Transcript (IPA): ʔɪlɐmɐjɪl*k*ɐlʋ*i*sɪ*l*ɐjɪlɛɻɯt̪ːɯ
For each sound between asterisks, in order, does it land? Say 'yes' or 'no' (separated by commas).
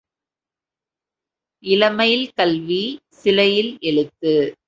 yes, yes, yes